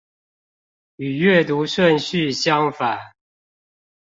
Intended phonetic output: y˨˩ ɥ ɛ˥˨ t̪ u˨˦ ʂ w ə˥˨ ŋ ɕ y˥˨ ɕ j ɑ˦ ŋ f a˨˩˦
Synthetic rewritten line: y˨˩ ɥ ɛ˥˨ t̪ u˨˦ ʂ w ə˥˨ n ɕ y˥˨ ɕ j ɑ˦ ŋ f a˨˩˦